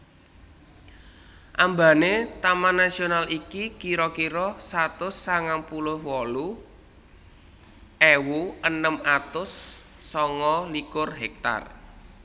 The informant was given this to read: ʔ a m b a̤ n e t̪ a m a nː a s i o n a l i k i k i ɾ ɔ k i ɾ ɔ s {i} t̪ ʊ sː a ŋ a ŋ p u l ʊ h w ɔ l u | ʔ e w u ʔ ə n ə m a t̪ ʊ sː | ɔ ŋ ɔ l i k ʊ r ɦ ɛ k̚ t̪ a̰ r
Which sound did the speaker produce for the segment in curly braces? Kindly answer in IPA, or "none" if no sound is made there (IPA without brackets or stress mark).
a